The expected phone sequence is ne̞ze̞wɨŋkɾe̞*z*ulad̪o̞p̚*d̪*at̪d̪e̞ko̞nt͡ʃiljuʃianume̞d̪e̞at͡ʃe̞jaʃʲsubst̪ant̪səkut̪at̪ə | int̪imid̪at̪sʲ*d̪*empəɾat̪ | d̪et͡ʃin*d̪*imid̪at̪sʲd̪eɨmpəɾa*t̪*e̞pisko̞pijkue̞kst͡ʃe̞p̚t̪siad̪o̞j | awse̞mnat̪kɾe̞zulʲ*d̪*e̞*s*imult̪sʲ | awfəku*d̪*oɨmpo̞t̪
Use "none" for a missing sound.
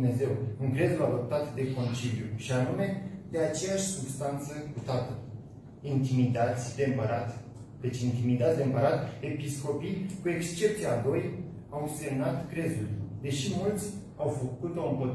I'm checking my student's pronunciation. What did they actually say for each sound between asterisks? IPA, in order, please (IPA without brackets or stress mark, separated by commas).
z, t̪, d̪, t̪, t̪, d̪, ʃ, t̪